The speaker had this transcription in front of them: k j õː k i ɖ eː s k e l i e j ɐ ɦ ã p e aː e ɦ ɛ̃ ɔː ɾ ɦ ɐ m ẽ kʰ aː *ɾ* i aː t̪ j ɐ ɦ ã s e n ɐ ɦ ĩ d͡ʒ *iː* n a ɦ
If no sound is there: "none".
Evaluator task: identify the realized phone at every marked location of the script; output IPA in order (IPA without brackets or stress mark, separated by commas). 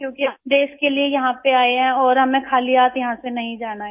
l, aː